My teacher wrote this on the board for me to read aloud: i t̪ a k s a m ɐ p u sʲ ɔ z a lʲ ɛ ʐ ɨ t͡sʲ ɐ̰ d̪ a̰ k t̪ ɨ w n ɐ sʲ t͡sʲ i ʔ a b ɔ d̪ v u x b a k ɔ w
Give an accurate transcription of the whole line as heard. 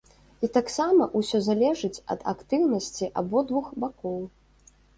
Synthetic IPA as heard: i t̪ a k s a m ɐ ʔ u sʲ ɔ z a lʲ ɛ ʐ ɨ t͡sʲ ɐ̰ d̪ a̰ k t̪ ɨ w n ɐ sʲ t͡sʲ i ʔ a b ɔ d̪ v u x b a k ɔ w